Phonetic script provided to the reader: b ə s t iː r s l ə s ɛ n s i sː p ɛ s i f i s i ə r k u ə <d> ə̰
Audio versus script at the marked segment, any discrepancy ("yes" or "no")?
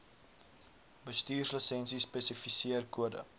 no